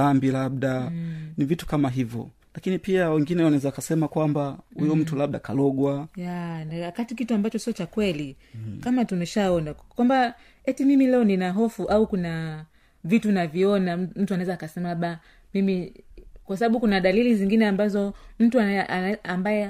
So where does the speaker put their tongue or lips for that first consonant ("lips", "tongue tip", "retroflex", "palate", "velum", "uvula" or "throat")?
lips